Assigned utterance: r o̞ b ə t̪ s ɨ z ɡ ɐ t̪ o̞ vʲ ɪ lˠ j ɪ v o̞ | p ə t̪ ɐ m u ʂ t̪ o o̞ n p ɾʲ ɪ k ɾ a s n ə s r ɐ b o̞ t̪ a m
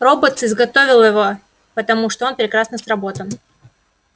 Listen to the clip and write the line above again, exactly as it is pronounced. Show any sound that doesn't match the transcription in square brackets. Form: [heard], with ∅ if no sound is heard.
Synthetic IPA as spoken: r o̞ b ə t̪ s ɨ z ɡ ɐ t̪ o̞ vʲ ɪ lˠ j ɪ v o̞ | p ə t̪ ɐ m u ʂ t̪ o o̞ n p ɾʲ ɪ k ɾ a s n ə s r ɐ b o̞ t̪ [ə] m